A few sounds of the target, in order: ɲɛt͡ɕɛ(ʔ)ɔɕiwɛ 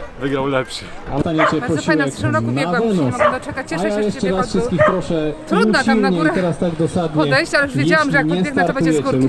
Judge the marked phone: incorrect: p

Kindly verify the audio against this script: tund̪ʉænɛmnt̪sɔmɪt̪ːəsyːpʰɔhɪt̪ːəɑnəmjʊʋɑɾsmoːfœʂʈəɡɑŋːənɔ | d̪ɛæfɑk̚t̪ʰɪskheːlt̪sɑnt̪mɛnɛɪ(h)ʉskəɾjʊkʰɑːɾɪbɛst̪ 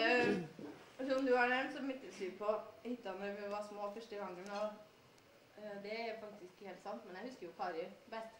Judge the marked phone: correct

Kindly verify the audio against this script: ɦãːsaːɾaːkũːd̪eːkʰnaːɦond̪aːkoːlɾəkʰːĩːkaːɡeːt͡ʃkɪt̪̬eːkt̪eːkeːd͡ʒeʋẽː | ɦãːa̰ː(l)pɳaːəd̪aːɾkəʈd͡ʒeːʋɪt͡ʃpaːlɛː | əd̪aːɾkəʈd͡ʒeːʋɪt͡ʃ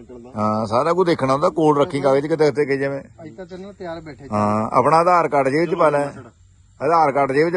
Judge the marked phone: incorrect: none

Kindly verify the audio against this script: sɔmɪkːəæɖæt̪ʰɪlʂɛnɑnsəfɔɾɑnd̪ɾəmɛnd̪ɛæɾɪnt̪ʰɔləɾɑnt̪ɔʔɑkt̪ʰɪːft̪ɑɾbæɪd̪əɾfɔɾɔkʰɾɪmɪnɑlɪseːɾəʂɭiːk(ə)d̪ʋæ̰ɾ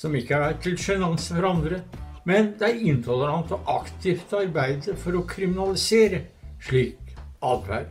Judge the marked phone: incorrect: ɑ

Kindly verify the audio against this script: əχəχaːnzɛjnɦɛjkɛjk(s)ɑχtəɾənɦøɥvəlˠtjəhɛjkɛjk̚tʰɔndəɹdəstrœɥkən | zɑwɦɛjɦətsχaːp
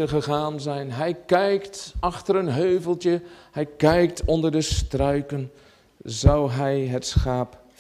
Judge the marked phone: incorrect: t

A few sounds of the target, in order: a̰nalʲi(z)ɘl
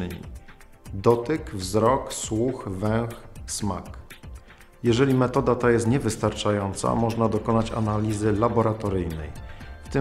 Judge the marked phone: correct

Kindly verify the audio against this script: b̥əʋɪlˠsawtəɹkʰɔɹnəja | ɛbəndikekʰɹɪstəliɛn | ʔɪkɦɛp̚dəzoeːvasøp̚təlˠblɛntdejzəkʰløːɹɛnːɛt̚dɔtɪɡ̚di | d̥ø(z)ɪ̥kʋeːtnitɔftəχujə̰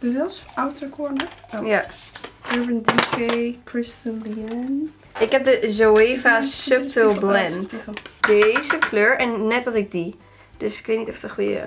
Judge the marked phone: incorrect: s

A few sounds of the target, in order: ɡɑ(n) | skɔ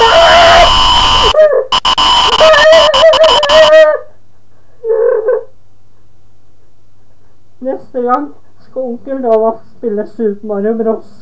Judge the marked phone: incorrect: ŋ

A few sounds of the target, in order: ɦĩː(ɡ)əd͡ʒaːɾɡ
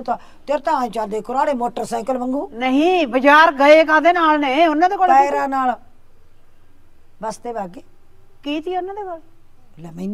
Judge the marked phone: incorrect: b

